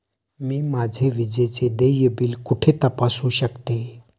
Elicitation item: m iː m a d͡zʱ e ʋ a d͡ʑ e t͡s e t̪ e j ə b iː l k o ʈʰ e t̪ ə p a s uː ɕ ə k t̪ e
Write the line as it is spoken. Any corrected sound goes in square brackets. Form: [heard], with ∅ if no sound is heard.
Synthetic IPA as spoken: m iː m a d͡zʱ e ʋ [i] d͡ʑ e t͡s e [d̪] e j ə b iː l k [u] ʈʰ e t̪ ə p a s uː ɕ ə k t̪ e